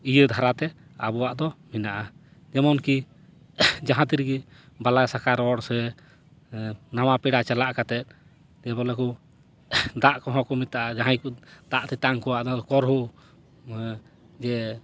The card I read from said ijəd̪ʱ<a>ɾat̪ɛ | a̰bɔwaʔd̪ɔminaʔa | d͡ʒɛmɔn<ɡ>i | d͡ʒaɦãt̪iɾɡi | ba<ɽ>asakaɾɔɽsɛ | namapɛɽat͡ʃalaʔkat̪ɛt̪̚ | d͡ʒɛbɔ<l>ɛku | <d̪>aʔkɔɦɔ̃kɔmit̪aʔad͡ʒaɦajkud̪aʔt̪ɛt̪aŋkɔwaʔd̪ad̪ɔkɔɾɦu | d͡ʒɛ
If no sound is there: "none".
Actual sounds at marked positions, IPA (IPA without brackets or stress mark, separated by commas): a, k, l, l, d̪